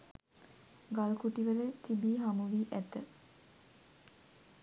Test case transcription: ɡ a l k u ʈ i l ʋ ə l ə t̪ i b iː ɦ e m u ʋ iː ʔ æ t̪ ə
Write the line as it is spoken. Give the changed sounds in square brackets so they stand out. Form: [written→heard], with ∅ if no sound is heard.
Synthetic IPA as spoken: ɡ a l k u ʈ i [l→∅] ʋ ə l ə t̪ i b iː ɦ [e→a] m u ʋ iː ʔ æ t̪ ə